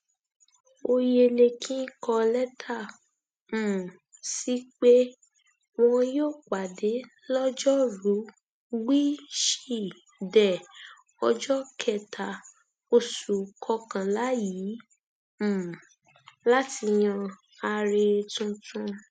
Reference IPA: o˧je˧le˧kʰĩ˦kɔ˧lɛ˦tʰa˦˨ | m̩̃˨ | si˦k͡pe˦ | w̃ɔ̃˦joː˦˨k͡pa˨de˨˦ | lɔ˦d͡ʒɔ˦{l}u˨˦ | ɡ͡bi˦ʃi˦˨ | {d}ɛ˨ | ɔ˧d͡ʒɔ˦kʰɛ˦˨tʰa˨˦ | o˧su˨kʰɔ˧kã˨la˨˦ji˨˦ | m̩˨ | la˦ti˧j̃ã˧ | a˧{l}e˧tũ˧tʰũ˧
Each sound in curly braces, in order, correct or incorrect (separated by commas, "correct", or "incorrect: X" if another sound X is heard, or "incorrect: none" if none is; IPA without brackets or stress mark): incorrect: ɾ, correct, incorrect: ɾ